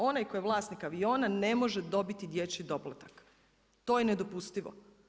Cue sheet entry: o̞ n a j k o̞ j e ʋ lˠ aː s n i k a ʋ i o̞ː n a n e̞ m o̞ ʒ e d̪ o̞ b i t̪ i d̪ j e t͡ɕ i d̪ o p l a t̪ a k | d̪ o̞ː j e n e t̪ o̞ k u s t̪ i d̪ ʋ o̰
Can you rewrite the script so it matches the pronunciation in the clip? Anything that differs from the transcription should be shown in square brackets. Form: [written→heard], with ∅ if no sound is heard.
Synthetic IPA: o̞ n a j k o̞ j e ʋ lˠ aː s n i k a ʋ i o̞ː n a n e̞ m o̞ ʒ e d̪ o̞ b i t̪ i d̪ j e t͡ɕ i d̪ o p l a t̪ a k | [d̪→t̪] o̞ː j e n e [t̪→d̪] o̞ [k→p] u s t̪ i [d̪→∅] ʋ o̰